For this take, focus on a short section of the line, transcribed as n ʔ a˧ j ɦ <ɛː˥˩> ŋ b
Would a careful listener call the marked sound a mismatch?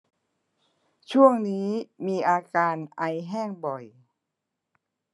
no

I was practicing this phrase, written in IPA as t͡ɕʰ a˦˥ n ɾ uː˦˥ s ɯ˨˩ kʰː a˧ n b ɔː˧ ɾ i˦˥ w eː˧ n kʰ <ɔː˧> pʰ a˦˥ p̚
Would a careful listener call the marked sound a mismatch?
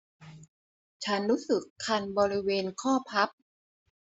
yes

